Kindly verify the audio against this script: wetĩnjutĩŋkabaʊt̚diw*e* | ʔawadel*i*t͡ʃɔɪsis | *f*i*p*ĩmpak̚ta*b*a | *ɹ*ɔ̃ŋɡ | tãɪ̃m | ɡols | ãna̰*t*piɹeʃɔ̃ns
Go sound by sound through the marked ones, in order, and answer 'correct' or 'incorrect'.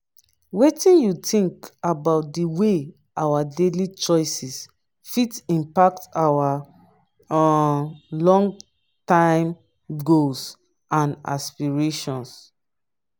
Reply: correct, correct, correct, incorrect: t, incorrect: w, incorrect: l, incorrect: s

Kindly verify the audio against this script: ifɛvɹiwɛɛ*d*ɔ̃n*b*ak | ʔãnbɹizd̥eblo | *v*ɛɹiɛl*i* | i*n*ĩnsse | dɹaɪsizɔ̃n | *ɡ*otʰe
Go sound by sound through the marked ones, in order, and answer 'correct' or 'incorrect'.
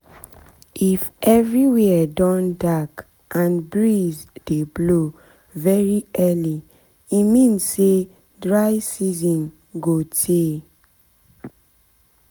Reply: correct, incorrect: d, correct, correct, incorrect: m, correct

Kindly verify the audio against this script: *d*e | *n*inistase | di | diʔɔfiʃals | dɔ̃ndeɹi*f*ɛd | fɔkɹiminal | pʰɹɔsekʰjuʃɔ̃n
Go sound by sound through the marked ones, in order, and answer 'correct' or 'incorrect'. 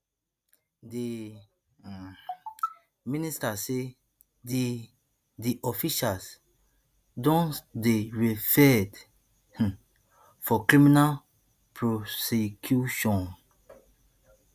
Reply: correct, incorrect: m, correct

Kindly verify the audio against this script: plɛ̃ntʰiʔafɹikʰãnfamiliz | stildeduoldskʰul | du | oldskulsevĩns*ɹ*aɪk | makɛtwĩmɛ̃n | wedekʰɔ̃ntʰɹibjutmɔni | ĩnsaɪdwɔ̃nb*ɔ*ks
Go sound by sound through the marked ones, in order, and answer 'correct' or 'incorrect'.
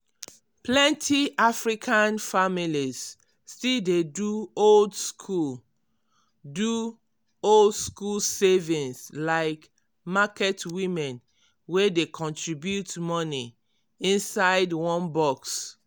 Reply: incorrect: l, correct

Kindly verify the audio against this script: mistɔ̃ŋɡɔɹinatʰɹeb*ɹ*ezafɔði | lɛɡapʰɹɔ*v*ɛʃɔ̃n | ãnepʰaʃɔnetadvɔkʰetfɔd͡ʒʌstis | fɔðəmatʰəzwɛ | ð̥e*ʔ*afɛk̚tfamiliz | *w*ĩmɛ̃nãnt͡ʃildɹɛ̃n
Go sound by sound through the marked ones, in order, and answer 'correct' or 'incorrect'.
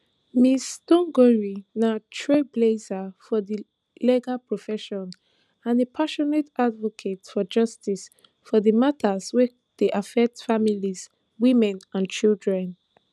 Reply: incorrect: l, incorrect: f, correct, correct

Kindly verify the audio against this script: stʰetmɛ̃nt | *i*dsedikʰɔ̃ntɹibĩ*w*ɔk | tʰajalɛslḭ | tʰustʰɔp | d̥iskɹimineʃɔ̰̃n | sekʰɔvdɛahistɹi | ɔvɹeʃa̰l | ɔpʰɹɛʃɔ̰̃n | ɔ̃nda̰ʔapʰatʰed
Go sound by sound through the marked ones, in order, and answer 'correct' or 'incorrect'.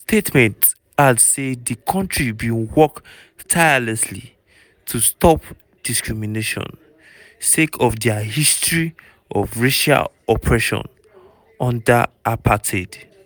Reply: incorrect: a, correct

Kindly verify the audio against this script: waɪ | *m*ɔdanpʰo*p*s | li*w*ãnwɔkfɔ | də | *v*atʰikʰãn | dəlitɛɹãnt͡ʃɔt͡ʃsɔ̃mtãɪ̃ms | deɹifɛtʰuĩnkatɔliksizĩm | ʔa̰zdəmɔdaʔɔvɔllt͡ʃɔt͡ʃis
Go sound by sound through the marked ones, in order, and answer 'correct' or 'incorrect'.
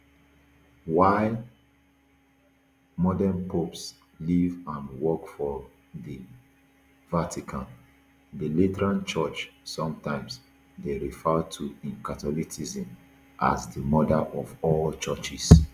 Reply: correct, correct, incorrect: v, correct

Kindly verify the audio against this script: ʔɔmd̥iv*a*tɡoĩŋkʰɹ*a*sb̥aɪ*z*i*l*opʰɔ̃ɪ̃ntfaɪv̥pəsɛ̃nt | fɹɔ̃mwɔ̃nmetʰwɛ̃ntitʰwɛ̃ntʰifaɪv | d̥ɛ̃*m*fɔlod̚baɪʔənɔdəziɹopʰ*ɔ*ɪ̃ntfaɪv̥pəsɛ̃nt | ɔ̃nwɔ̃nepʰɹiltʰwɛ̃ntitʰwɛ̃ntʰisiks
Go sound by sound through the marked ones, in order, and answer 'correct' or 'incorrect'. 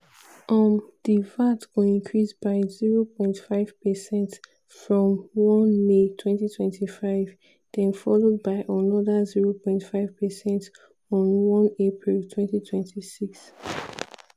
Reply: correct, incorrect: i, correct, incorrect: ɹ, incorrect: n, incorrect: ɔ̃

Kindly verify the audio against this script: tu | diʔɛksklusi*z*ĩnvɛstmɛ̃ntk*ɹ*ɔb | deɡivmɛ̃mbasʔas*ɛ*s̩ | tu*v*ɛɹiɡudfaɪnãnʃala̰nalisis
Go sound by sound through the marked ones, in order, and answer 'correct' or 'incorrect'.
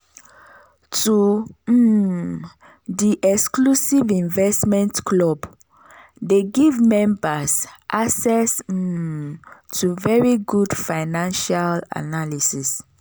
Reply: incorrect: v, incorrect: l, correct, correct

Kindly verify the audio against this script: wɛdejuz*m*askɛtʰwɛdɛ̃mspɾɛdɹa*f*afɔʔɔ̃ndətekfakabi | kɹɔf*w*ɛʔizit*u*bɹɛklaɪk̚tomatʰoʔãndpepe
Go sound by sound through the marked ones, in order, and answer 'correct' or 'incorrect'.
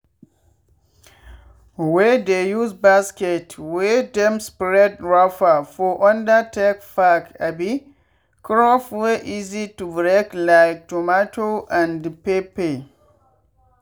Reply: incorrect: b, correct, correct, correct

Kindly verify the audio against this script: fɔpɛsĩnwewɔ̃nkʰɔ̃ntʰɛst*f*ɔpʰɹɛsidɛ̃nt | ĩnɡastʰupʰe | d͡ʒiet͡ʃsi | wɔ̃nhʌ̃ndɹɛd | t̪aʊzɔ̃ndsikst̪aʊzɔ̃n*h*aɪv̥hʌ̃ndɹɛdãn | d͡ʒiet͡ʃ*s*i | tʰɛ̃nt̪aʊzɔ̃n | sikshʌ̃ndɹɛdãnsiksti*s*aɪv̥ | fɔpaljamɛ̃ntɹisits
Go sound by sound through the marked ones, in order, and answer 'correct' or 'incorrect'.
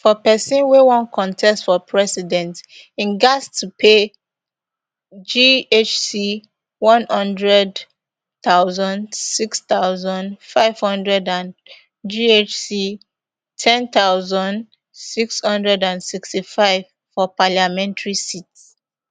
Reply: correct, incorrect: f, correct, incorrect: f

